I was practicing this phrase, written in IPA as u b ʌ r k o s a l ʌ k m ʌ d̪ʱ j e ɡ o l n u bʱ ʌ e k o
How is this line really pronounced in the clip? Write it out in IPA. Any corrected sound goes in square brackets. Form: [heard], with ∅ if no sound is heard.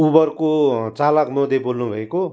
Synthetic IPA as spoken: u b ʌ r k o [t͡s] a l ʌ k m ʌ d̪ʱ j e [b] o l n u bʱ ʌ e k o